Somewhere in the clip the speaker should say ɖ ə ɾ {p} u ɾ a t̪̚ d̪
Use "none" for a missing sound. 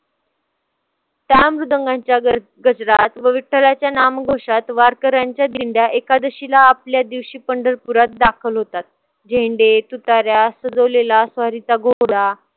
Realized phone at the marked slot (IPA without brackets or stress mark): p